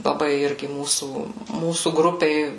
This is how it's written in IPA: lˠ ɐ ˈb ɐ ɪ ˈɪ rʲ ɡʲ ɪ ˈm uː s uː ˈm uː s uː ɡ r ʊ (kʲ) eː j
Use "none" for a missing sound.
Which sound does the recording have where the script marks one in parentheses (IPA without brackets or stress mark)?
pʲ